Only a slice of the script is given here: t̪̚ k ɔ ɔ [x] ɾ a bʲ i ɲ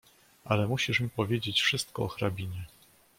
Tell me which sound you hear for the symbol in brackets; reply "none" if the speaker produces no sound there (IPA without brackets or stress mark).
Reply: x